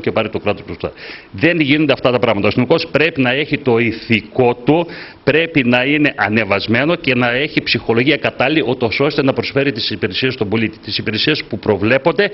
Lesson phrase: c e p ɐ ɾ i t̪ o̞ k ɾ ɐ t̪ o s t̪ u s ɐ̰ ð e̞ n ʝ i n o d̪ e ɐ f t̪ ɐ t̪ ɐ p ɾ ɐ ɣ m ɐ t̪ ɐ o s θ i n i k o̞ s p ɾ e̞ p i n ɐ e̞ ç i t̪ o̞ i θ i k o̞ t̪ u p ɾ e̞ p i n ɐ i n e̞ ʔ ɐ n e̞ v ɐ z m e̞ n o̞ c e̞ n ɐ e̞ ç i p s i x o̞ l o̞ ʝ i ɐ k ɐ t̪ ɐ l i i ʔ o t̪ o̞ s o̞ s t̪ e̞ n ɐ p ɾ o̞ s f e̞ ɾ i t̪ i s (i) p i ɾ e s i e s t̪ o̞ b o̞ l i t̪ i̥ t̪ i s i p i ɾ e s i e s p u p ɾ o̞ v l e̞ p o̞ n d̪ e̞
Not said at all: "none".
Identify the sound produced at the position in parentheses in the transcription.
i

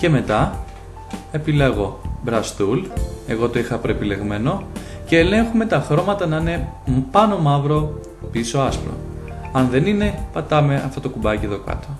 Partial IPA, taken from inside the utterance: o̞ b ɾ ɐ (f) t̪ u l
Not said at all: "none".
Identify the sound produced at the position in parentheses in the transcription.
s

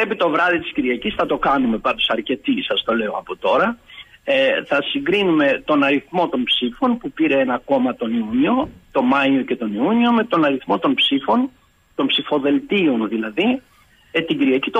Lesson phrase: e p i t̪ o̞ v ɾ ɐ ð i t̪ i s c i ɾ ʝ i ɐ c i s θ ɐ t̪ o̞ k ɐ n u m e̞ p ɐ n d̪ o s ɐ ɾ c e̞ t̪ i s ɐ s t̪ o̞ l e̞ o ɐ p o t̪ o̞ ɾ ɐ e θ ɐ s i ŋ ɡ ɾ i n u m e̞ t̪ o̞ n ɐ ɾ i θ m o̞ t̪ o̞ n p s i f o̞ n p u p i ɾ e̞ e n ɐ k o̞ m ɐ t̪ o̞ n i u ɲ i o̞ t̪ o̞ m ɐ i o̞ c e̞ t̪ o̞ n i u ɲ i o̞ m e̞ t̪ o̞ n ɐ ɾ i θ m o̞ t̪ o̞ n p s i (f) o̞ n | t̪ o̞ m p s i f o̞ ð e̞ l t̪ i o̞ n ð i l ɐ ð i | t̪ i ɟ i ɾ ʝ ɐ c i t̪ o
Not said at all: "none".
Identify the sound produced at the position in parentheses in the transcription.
f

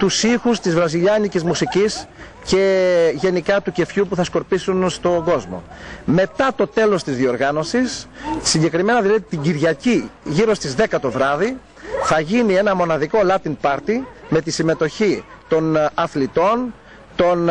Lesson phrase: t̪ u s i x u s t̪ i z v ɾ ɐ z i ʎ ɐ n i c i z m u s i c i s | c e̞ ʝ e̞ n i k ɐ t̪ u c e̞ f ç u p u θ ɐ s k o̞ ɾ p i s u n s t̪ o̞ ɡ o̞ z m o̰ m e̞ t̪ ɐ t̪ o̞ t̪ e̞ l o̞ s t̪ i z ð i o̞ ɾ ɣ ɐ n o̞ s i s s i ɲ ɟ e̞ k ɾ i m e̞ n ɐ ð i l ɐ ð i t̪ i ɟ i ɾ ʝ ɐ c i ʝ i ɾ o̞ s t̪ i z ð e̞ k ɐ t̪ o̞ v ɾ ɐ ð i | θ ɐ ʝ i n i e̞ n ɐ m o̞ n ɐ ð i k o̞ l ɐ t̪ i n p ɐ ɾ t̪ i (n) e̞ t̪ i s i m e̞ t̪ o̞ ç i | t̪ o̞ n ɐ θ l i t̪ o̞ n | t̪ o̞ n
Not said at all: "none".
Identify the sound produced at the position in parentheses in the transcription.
m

